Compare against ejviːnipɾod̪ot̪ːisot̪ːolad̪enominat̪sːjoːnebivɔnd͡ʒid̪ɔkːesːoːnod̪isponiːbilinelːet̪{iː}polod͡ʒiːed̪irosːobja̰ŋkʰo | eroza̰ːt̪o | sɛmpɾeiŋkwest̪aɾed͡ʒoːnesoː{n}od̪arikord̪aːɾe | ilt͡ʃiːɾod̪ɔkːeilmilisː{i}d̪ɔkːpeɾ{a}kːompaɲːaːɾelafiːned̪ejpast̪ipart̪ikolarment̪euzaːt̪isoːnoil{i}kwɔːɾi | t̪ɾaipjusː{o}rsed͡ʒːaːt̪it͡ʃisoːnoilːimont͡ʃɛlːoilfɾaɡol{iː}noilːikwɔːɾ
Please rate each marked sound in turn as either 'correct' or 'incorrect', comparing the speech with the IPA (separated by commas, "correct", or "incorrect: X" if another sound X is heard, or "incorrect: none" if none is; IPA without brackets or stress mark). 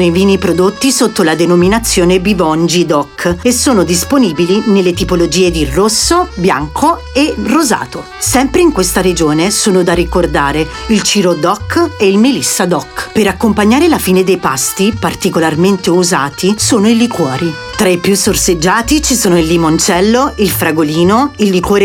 incorrect: i, correct, incorrect: a, correct, correct, correct, correct